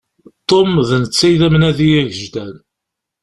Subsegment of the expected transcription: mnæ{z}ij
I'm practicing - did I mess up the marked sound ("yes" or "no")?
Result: yes